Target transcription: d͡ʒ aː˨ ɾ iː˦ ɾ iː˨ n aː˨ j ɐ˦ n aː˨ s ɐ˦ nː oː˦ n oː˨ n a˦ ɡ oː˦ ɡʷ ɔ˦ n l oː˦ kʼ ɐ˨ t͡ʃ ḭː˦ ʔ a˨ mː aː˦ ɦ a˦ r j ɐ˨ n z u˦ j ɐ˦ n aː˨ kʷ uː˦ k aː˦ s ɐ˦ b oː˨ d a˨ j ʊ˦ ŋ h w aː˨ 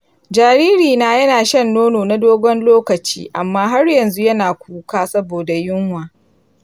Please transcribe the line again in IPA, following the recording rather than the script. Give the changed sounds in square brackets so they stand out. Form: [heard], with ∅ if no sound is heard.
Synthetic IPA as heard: d͡ʒ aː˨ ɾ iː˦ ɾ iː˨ n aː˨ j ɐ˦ n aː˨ [ʃ] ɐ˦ nː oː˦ n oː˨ n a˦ [d] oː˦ ɡʷ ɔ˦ n l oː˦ [k] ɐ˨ t͡ʃ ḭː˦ ʔ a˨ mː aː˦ ɦ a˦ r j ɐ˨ n z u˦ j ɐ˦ n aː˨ kʷ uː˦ k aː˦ s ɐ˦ b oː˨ d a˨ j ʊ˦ ŋ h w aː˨